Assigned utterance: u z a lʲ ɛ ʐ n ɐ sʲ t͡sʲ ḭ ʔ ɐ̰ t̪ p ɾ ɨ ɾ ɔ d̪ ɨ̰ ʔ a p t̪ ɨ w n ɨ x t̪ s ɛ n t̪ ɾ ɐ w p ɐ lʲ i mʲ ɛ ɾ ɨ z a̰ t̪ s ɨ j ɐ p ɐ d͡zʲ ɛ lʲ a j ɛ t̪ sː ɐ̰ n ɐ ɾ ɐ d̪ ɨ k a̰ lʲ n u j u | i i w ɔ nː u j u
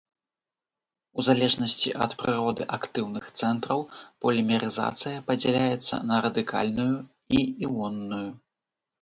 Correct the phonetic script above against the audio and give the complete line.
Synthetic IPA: u z a lʲ ɛ ʐ n ɐ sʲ t͡sʲ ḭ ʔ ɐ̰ t̪ p ɾ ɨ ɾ ɔ d̪ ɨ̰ ʔ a k t̪ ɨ w n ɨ x t̪ s ɛ n t̪ ɾ ɐ w p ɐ lʲ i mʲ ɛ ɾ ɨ z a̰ t̪ s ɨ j ɐ p ɐ d͡zʲ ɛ lʲ a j ɛ t̪ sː ɐ̰ n ɐ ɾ ɐ d̪ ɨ k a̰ lʲ n u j u | i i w ɔ nː u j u